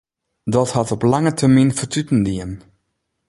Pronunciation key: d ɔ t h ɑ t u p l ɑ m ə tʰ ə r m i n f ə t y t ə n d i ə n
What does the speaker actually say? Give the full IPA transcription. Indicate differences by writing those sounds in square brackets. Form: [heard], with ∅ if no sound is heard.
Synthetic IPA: d ɔ t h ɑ t [ɔ] p l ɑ [ŋ] ə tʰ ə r m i n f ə t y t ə n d i ə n